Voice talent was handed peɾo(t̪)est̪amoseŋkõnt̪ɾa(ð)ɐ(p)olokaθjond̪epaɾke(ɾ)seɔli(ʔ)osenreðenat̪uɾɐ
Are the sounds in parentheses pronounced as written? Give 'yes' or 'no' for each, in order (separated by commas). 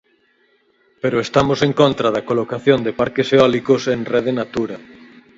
no, yes, no, no, no